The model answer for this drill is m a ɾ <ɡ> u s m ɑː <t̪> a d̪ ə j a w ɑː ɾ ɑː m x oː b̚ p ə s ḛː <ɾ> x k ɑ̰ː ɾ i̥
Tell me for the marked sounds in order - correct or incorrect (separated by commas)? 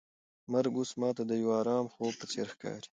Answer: correct, correct, correct